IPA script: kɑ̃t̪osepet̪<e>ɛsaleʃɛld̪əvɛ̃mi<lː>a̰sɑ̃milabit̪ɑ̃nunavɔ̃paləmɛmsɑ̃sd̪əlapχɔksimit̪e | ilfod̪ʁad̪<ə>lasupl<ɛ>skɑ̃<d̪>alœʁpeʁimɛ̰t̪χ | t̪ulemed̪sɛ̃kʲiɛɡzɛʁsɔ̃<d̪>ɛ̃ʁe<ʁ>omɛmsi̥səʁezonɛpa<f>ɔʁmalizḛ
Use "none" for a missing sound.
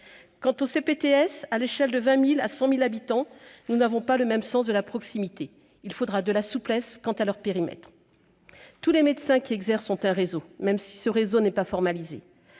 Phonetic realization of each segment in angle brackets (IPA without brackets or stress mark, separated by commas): e, l, ə, ɛ, t̪, t̪, z, f